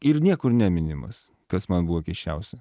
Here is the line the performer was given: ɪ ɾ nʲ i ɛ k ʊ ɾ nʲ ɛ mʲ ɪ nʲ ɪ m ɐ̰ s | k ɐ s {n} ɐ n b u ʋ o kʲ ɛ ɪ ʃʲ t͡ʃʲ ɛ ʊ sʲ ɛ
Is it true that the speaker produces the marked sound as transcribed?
no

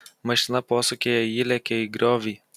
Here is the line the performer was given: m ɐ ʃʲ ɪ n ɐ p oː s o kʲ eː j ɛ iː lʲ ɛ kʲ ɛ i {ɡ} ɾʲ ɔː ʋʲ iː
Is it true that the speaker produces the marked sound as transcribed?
yes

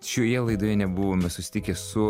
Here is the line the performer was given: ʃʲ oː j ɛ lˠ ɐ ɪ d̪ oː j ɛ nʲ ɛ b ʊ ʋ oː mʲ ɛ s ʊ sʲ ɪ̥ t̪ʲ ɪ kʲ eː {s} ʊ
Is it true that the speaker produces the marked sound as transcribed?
yes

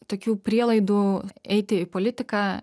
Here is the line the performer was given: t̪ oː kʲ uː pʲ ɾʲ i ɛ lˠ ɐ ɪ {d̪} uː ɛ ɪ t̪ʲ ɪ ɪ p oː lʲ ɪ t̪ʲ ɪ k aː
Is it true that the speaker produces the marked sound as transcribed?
yes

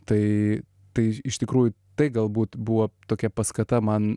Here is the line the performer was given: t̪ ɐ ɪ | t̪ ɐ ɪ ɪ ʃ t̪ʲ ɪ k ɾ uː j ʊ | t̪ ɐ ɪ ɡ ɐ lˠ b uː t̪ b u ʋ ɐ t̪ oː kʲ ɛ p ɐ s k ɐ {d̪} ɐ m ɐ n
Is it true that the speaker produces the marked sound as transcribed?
no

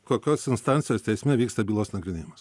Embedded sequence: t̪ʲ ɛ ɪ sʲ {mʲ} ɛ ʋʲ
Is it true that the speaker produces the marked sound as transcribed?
yes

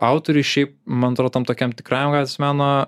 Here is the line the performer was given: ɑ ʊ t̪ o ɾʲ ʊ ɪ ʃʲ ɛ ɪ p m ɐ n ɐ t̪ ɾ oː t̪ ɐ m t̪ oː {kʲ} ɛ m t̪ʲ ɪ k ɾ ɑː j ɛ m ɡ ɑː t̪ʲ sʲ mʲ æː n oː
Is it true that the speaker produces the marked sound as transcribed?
yes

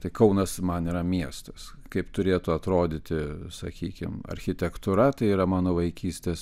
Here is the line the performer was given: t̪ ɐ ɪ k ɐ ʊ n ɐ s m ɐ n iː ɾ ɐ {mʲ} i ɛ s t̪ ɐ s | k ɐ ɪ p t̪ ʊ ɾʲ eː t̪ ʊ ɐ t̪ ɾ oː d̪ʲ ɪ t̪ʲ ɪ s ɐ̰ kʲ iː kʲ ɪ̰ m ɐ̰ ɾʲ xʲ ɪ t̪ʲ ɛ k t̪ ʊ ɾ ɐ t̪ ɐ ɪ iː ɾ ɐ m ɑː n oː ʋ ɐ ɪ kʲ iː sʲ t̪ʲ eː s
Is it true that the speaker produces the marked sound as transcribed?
yes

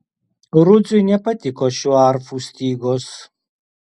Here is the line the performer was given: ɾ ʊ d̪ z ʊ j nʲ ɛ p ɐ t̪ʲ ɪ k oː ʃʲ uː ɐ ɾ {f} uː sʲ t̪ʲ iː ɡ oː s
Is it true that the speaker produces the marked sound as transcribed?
yes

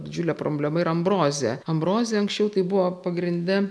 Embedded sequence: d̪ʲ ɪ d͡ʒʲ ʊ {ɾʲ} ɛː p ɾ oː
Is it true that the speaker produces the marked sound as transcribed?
no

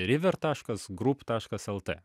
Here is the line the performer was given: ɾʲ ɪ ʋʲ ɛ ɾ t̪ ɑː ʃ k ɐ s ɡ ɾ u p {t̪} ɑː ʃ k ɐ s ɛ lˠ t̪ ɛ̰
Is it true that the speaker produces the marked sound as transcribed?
yes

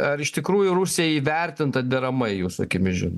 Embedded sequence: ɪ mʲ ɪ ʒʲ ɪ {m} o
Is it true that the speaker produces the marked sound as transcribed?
no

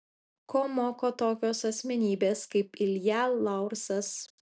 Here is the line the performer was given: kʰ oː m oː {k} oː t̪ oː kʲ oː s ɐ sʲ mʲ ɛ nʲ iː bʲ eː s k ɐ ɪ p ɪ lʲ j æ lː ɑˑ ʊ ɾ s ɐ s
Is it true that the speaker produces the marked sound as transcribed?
yes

